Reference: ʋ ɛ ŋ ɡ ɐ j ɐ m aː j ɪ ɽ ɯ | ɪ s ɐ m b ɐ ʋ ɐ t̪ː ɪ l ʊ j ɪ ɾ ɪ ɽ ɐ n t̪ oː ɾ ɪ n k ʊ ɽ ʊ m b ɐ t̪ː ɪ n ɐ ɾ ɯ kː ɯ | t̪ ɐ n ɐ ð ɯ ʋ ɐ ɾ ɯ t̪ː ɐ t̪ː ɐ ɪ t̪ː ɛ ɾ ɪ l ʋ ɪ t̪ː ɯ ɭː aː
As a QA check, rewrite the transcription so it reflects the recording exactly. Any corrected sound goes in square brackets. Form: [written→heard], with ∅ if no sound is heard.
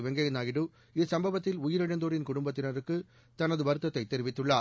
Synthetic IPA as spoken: ʋ ɛ ŋ ɡ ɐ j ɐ [m→n] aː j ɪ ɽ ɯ | ɪ s ɐ m b ɐ ʋ ɐ t̪ː ɪ l ʊ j ɪ ɾ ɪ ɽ ɐ n [t̪→d̪] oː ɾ ɪ n k ʊ ɽ ʊ m b ɐ t̪ː ɪ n ɐ ɾ ɯ kː ɯ | t̪ ɐ n ɐ ð ɯ ʋ ɐ ɾ ɯ t̪ː ɐ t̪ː ɐ ɪ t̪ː ɛ ɾ ɪ [l→∅] ʋ ɪ t̪ː ɯ ɭː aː